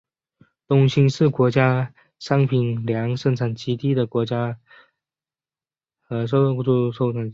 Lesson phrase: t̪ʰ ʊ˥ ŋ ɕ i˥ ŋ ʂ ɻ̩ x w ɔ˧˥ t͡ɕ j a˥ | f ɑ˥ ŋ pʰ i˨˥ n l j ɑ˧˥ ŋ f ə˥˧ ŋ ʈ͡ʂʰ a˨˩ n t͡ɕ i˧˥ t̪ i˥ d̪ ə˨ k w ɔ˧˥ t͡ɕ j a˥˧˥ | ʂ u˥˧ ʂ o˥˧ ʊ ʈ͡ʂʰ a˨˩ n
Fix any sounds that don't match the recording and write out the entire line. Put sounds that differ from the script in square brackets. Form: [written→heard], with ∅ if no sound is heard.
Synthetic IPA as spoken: [t̪ʰ→t̪] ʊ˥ ŋ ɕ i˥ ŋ ʂ ɻ̩ [x→k] w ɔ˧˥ t͡ɕ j a˥ | [f→ʂ] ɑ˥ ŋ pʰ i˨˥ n l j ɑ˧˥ ŋ [f→ʂ] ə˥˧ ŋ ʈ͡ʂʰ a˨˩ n t͡ɕ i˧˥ t̪ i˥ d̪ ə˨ k w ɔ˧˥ t͡ɕ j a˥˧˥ | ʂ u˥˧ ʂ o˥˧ ʊ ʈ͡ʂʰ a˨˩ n